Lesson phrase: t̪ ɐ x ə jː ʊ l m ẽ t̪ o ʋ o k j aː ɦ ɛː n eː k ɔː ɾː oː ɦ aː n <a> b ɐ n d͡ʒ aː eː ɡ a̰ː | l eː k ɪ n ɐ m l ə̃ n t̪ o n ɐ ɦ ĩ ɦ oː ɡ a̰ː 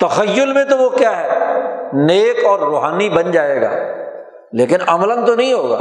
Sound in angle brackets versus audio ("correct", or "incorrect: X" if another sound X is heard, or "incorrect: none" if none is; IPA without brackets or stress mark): incorrect: i